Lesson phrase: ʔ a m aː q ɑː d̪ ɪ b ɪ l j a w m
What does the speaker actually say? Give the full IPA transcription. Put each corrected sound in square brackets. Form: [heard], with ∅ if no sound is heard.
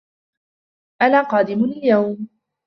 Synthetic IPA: ʔ a [n] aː q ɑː d̪ ɪ [m] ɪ l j a w m